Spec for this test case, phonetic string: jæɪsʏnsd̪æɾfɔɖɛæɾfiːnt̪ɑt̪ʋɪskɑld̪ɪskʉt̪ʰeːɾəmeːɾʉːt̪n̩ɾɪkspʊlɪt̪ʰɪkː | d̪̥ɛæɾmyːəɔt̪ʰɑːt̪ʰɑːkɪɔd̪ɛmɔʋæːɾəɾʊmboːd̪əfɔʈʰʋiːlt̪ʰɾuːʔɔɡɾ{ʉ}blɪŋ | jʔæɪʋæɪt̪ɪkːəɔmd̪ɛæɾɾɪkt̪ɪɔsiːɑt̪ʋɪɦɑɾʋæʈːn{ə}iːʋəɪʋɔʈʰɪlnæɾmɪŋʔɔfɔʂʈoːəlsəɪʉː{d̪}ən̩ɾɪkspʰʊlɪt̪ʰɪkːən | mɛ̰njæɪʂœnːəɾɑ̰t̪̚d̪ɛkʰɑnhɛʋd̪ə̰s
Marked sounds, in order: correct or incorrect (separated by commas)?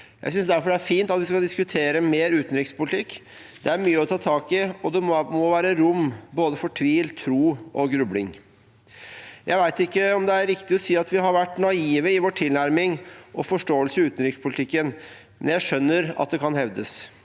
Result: correct, incorrect, incorrect